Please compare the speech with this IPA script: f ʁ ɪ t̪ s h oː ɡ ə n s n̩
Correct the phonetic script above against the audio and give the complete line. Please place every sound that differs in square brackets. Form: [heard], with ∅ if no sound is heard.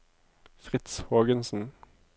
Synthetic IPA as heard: f ʁ ɪ t̪ s h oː ɡ ə n s n̩